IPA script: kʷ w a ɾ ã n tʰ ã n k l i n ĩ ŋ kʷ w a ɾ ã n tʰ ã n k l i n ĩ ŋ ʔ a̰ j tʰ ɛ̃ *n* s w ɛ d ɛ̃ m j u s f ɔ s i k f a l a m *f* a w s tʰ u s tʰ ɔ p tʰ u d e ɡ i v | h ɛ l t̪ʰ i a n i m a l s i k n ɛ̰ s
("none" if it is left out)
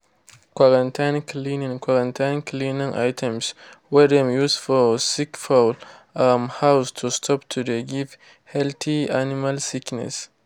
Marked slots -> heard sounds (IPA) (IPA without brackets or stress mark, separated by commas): m, h